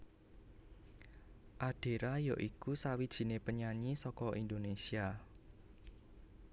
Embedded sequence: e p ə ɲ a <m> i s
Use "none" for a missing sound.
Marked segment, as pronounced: ɲ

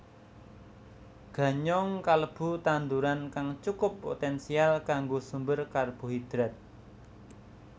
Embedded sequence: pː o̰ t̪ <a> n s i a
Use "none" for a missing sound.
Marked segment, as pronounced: ɛ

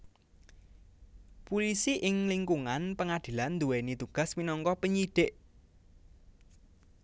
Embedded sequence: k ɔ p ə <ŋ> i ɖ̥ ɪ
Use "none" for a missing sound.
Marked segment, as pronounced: ɲ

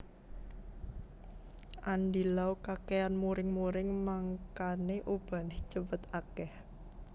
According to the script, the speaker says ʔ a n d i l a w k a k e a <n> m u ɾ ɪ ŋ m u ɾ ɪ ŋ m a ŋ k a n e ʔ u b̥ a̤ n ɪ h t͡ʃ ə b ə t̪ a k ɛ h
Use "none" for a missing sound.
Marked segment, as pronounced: n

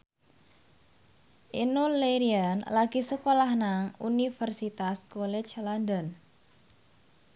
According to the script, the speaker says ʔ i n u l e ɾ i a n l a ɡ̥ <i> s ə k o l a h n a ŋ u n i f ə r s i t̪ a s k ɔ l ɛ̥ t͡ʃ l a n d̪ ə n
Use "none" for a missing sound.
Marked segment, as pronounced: i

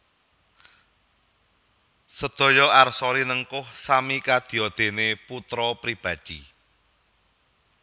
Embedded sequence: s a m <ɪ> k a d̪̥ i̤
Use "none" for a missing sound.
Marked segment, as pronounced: i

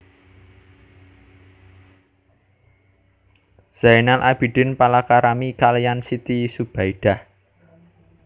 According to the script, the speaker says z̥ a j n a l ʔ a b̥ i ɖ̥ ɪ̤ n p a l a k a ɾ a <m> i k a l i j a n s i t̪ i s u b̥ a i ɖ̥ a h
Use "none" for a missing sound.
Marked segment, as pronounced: m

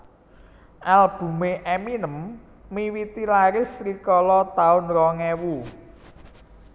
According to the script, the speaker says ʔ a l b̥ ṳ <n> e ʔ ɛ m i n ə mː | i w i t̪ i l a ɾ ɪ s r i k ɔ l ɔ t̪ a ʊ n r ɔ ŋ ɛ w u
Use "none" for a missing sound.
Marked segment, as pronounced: m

